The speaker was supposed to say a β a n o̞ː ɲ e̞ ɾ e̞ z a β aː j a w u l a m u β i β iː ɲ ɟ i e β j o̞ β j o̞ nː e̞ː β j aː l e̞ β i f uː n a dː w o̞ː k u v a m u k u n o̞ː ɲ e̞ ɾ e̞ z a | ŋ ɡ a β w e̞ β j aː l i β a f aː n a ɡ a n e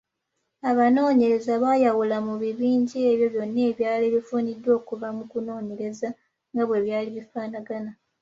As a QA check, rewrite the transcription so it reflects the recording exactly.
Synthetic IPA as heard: a β a n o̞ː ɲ e̞ ɾ e̞ z a β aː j a w u l a m u β i β iː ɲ ɟ i e β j o̞ β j o̞ nː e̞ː β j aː l e̞ β i f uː n i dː w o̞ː k u v a m u k u n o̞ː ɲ e̞ ɾ e̞ z a | ŋ ɡ a β w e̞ β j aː l i β i f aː n a ɡ a n a